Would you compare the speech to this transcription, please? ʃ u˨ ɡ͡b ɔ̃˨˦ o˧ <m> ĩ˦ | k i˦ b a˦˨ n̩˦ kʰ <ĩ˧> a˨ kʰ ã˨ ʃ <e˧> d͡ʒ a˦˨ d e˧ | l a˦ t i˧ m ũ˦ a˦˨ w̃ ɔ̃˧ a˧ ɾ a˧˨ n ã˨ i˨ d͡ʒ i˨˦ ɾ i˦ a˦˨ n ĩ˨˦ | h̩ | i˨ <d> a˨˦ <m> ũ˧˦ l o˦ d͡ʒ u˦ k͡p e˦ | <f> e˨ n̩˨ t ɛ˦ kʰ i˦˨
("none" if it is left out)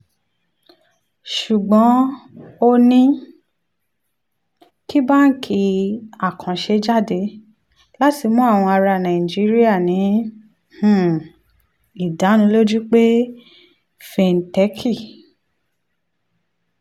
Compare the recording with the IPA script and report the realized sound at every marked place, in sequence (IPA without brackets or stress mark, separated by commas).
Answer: n, i˧, e˧, d, n, f